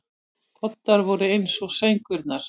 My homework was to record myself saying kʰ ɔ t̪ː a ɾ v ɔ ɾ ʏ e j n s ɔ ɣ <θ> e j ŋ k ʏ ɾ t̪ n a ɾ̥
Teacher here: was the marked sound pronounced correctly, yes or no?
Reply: no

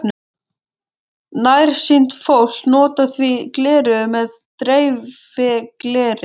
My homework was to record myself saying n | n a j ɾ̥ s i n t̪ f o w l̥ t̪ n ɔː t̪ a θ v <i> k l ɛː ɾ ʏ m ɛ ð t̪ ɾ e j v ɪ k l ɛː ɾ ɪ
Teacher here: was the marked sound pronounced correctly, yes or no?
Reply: yes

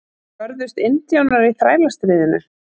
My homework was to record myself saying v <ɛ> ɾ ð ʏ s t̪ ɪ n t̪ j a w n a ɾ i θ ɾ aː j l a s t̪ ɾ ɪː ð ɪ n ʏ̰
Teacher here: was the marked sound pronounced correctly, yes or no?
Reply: no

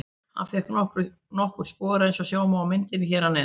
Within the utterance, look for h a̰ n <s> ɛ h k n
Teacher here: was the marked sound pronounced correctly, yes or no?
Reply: no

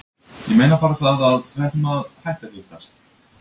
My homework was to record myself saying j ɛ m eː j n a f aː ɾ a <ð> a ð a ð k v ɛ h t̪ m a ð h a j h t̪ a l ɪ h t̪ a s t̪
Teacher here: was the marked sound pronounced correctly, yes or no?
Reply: no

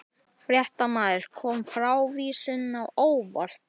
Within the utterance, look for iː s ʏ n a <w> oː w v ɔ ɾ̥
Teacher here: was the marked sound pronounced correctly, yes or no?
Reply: yes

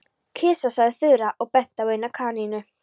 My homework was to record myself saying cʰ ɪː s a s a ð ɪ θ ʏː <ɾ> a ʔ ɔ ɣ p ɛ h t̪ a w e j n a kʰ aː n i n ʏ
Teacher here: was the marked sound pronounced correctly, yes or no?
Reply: yes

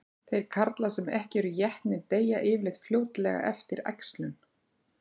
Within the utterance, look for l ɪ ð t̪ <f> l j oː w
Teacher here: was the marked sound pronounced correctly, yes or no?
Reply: yes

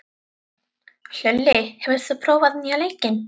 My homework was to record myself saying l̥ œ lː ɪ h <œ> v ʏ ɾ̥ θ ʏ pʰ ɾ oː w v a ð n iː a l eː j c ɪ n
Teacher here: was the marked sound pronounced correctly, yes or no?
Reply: no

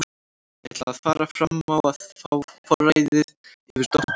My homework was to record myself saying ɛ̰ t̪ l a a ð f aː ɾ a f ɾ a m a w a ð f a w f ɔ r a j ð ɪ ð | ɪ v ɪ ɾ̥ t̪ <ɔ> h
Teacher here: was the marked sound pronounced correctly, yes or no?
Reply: yes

